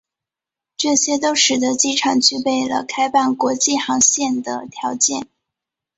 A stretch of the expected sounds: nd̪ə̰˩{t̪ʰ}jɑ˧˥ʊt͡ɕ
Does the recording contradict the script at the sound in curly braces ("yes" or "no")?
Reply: no